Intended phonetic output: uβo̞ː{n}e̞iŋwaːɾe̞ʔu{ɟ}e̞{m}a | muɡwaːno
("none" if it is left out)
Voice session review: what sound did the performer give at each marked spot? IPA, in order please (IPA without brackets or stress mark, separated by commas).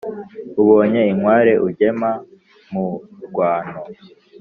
ɲ, ɟ, m